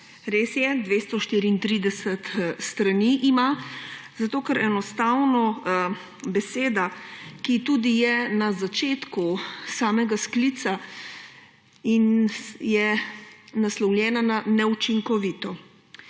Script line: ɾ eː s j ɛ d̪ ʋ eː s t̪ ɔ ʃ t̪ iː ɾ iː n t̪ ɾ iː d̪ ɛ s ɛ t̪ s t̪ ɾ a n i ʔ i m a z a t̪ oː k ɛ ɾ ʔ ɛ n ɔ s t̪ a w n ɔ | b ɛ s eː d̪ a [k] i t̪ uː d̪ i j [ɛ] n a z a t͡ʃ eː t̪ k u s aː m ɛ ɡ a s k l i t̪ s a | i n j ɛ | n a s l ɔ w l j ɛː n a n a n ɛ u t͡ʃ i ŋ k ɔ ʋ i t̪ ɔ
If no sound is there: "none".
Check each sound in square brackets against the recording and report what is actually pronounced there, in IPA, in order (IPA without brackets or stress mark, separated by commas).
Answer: k, ɛ